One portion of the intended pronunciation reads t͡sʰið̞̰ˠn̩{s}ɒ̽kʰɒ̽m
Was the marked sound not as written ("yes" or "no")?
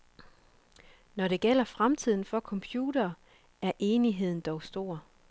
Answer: yes